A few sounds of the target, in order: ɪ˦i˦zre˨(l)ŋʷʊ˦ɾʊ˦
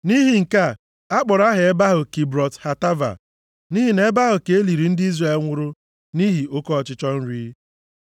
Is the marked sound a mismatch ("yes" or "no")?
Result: no